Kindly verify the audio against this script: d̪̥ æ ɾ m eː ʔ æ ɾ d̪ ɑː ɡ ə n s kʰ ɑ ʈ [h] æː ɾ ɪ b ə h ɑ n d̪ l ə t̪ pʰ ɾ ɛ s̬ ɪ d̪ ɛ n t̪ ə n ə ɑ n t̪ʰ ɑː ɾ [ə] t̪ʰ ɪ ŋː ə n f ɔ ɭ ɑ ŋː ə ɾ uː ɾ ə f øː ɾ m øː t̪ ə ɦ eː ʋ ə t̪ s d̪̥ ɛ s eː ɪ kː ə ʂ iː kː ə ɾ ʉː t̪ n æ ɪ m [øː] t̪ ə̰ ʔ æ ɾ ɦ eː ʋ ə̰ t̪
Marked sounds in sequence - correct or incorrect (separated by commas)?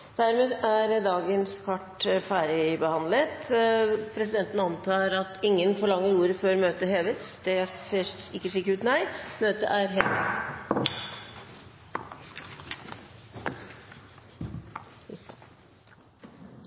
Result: incorrect, incorrect, correct